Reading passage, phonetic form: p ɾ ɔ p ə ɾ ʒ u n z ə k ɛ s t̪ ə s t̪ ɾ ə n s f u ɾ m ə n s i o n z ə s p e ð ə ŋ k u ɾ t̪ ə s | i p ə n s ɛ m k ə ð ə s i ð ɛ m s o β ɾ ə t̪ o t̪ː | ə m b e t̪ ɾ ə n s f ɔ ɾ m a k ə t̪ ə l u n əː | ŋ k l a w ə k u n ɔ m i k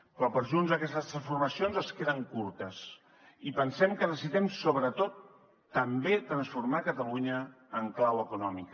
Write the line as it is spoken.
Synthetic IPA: p ɾ ɔ p ə ɾ ʒ u n z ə k ɛ s t̪ ə s t̪ ɾ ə n s f u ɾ m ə s i o n z ə s k e ð ə ŋ k u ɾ t̪ ə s | i p ə n s ɛ m k ə ð ə s i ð ɛ m s o β ɾ ə t̪ o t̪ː | ə m b e t̪ ɾ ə n s f u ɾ m a k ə t̪ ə l u ɲ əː | ŋ k l a w ə k u n ɔ m i k

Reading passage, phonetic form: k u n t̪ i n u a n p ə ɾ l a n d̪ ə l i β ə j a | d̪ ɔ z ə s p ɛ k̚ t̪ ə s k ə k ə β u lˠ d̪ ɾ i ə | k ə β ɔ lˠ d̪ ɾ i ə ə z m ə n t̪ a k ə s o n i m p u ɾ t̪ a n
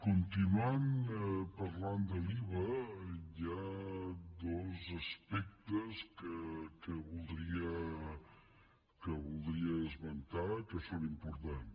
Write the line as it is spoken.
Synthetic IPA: k u n t̪ i n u a n p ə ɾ l a n d̪ ə l i β ə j a | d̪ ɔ z ə s p ɛ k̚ t̪ ə s k ə k ə β u lˠ d̪ ɾ i ə | k ə β u lˠ d̪ ɾ i ə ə z m ə n t̪ a k ə s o n i m p u ɾ t̪ a n

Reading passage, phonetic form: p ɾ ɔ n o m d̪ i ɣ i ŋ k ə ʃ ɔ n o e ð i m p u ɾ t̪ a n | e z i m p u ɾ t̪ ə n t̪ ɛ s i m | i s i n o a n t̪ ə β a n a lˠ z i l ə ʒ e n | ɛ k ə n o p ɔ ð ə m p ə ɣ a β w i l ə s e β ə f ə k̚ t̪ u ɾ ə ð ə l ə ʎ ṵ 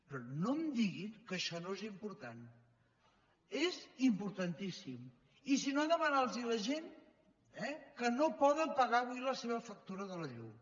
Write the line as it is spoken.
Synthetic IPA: p ɾ ɔ n o m d̪ i ɣ i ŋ k ə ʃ ɔ n o e z i m p u ɾ t̪ a n | e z i m p u ɾ t̪ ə n t̪ i s i m | i s i n o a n d̪ ə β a n a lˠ z i l ə ʒ e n | ɛ k ə n o p ɔ ð ə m p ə ɣ a β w i l ə s e β ə f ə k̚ t̪ u ɾ ə ð ə l ə ʎ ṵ

